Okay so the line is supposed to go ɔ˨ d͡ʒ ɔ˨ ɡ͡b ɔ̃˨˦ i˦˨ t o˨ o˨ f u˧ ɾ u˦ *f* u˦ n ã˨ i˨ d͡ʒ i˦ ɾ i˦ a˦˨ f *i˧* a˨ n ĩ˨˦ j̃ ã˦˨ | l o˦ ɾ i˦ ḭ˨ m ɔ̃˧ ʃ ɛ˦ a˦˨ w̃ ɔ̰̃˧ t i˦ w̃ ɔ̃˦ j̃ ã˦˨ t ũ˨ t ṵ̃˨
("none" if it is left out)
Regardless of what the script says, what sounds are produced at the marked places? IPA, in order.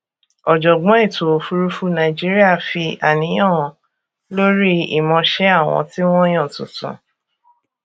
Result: f, i˧

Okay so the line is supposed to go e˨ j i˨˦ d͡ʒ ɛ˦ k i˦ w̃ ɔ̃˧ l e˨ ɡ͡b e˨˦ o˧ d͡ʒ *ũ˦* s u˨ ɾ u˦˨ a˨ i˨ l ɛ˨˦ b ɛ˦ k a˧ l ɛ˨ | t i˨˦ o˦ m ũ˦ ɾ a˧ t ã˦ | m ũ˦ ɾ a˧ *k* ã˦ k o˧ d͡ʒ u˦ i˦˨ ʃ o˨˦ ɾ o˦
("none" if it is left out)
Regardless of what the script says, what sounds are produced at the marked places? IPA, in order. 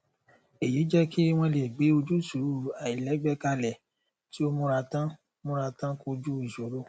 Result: u˦, t

